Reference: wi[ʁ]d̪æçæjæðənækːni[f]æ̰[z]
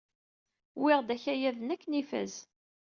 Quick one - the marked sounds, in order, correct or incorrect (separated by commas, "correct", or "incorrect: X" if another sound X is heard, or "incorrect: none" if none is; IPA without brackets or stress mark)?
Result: correct, correct, correct